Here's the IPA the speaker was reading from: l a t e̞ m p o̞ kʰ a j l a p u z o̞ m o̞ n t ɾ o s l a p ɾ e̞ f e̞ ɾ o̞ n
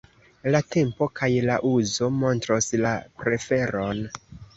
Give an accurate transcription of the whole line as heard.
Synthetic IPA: l a t e̞ m p o̞ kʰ a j l a ʔ u z o̞ m o̞ n t ɾ o s l a p ɾ e̞ f e̞ ɾ o̞ n